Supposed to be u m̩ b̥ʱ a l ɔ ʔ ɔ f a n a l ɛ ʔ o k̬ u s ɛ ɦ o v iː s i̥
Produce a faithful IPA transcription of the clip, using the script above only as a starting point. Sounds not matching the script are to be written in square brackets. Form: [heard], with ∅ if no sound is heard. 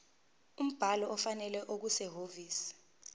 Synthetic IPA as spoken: u m̩ b̥ʱ a l ɔ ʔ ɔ f a n [ɛ] l ɛ ʔ o k̬ u s ɛ ɦ o v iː s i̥

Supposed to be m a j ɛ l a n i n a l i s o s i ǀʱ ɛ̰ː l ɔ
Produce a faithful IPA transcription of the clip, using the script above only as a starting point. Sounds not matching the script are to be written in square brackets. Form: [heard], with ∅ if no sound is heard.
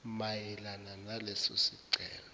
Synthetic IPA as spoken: m a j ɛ l a n [a] n a l [ɛ] s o s i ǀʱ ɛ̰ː l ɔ

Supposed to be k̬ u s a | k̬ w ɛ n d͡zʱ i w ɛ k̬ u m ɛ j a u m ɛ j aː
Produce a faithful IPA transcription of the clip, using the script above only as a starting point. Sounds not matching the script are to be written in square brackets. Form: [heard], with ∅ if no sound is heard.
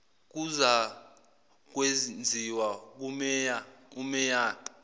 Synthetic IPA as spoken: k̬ u [z] a | k̬ w [e] n d͡zʱ i w [a] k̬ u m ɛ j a u m ɛ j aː

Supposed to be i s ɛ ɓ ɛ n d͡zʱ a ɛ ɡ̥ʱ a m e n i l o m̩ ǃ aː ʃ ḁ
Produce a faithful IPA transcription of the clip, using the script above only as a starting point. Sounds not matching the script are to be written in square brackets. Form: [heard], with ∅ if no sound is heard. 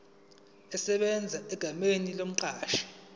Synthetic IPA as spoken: [ɛ] s ɛ ɓ ɛ n d͡zʱ a ɛ ɡ̥ʱ a m e n i l o m̩ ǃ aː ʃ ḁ

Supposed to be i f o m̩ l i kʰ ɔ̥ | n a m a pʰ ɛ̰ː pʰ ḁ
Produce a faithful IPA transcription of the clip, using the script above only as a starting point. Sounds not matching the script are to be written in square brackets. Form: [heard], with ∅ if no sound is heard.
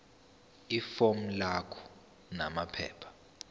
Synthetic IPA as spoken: i f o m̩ l [a] kʰ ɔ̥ | n a m a pʰ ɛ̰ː pʰ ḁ

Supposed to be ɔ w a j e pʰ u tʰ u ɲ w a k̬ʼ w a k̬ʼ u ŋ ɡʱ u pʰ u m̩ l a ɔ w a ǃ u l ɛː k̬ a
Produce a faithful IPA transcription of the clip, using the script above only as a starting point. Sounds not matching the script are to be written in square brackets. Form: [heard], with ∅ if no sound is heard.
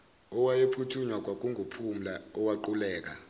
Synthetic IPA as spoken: ɔ w a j e pʰ u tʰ u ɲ w a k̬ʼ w a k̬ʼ u ŋ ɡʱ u pʰ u m̩ l a ɔ w a ǃ u l ɛː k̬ a

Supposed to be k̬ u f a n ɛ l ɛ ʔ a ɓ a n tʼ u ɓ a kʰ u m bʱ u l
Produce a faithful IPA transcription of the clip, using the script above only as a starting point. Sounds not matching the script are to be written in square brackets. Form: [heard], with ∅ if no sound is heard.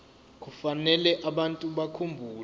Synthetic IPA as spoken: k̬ u f a n ɛ l ɛ ʔ a ɓ a n tʼ u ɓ a kʰ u m bʱ [uː] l

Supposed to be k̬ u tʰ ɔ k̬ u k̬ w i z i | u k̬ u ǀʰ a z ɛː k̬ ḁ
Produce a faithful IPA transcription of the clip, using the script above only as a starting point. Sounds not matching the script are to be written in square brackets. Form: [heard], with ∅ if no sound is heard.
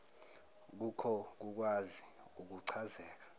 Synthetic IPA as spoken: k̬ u [kʰ] ɔ k̬ u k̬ w [a] z i | u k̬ u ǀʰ a z ɛː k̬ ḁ

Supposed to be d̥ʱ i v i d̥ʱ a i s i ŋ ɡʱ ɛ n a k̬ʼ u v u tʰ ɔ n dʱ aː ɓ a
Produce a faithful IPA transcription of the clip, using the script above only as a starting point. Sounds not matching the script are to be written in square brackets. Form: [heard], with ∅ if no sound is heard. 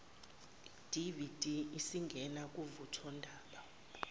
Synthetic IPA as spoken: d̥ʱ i v i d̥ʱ [i] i s i ŋ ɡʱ ɛ n a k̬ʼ u v u tʰ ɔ n dʱ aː ɓ a

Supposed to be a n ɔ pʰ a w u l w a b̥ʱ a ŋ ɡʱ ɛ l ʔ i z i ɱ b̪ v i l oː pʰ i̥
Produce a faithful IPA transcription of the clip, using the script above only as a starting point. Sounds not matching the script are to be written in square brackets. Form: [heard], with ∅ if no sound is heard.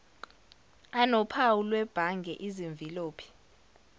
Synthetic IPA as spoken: a n ɔ pʰ a w u l w [ɛ] b̥ʱ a ŋ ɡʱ ɛ [∅] ʔ i z i ɱ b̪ v i l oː pʰ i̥

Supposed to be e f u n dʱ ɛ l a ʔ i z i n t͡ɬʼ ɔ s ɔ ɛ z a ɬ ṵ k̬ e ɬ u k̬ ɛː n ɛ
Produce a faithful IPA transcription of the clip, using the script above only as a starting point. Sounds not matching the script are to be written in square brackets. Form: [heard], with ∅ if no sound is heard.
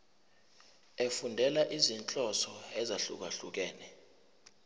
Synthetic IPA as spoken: e f u n dʱ ɛ l a ʔ i z i n t͡ɬʼ ɔ s ɔ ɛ z a ɬ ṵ k̬ [a] ɬ u k̬ ɛː n ɛ

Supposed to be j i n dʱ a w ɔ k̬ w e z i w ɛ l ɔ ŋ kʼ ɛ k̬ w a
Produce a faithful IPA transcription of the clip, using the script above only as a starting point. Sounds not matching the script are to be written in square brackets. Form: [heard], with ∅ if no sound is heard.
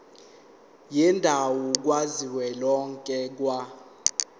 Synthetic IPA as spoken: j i n dʱ a w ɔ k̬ w [a] z i w ɛ l ɔ ŋ kʼ ɛ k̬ w a

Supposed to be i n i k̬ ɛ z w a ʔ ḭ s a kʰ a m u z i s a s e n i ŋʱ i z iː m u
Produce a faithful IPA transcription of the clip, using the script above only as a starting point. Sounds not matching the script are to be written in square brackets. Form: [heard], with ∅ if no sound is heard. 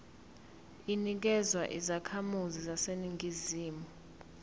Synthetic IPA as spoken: i n i k̬ ɛ z w a ʔ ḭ [z] a kʰ a m u z i [z] a s e n i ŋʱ i z iː m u

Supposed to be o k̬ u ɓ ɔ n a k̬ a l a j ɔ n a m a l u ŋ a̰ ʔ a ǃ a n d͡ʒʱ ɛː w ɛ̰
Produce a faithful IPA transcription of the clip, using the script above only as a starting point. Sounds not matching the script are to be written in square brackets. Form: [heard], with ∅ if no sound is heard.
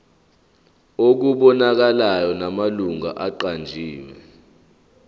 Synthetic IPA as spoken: o k̬ u ɓ ɔ n a k̬ a l a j ɔ n a m a l u ŋ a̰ ʔ a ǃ a n d͡ʒʱ [iː] w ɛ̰

